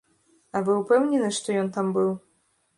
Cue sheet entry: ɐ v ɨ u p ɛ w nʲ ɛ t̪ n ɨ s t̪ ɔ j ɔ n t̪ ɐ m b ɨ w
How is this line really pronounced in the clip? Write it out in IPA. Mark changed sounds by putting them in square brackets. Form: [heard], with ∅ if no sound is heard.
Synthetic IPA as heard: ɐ v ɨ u p ɛ w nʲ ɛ [∅] n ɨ [ʂ] t̪ ɔ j ɔ n t̪ [a] m b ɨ w

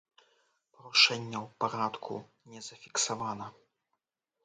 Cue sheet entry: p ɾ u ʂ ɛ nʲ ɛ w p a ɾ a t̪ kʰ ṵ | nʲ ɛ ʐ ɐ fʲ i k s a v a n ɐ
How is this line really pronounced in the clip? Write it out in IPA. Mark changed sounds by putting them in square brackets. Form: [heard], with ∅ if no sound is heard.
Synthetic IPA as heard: p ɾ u ʂ ɛ [nʲː] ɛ w p a ɾ a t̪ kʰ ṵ | nʲ ɛ [z] ɐ fʲ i k s a v a n ɐ

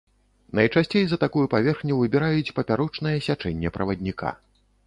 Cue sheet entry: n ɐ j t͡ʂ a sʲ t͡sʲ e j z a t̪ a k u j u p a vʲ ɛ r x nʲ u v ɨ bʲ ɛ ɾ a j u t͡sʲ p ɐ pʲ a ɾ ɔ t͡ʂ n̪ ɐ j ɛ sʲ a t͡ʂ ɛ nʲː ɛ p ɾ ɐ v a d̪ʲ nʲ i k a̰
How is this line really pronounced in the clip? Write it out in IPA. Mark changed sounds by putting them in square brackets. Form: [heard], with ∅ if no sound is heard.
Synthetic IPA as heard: n ɐ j t͡ʂ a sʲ t͡sʲ e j z [ɐ] t̪ a k u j u p a vʲ ɛ r x nʲ u v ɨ bʲ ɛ ɾ a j u t͡sʲ p ɐ pʲ a ɾ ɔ t͡ʂ n̪ ɐ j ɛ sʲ a t͡ʂ ɛ nʲː ɛ p ɾ ɐ v [ɐ] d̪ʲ nʲ i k a̰

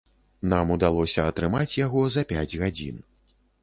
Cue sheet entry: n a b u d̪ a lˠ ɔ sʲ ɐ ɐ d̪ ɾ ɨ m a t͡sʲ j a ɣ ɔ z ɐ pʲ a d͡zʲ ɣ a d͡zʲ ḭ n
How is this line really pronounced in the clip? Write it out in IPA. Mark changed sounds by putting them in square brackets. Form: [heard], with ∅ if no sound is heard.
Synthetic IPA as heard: n a [m] u d̪ a lˠ ɔ sʲ ɐ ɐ [t̪] ɾ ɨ m a t͡sʲ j a ɣ ɔ z ɐ pʲ a d͡zʲ ɣ a d͡zʲ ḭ n

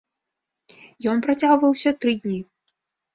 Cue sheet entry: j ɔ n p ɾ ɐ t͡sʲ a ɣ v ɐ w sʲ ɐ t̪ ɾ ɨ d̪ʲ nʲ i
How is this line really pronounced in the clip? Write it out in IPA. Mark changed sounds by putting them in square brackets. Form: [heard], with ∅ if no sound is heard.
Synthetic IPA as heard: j ɔ n p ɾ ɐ t͡sʲ a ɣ v ɐ w sʲ ɐ t̪ ɾ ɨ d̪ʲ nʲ i

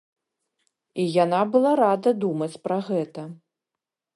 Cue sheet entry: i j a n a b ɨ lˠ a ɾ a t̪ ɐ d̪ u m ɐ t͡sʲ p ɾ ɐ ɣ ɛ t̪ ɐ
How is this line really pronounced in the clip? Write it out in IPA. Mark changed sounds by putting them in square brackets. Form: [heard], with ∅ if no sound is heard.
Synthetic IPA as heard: i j a n a b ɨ lˠ a ɾ a [d̪] ɐ d̪ u m ɐ t͡sʲ p ɾ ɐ ɣ ɛ t̪ ɐ

